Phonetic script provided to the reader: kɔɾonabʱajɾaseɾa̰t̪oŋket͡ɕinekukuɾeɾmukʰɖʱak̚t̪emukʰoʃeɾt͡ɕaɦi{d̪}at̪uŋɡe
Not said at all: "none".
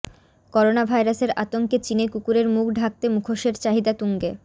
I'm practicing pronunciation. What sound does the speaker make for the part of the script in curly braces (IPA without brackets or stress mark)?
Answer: d̪